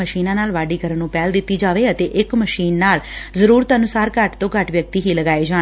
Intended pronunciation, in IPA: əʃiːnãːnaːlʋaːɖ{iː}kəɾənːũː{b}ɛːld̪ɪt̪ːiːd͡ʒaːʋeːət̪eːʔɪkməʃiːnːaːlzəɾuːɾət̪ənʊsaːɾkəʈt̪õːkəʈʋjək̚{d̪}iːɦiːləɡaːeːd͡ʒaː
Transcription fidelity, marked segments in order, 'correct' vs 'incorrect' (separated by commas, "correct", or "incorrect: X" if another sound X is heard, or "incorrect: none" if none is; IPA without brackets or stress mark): correct, incorrect: p, incorrect: t̪